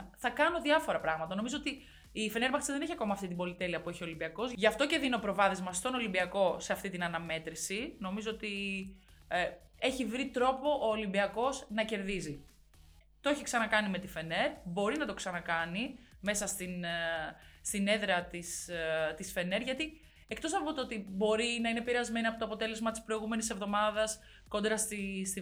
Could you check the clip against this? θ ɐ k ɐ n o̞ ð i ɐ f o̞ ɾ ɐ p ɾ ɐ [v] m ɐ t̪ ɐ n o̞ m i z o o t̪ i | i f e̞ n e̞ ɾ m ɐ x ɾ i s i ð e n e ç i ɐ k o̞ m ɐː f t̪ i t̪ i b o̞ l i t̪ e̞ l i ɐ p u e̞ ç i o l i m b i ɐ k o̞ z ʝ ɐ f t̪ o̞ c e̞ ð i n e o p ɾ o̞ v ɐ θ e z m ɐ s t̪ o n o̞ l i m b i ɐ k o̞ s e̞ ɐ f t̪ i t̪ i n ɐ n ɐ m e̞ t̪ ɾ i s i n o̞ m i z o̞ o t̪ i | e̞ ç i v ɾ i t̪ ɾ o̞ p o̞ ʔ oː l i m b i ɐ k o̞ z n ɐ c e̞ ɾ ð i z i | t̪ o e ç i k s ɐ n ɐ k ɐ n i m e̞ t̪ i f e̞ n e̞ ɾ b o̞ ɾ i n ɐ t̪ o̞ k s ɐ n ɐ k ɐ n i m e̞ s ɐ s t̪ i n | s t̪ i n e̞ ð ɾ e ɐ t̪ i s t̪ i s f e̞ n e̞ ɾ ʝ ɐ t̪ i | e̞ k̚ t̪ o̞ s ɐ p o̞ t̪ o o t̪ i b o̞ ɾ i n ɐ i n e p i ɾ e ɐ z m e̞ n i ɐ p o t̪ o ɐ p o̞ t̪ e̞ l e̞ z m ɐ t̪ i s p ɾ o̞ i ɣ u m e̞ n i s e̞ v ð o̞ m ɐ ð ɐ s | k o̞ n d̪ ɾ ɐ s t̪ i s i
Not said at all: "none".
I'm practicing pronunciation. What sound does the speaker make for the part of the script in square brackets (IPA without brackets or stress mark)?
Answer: ɣ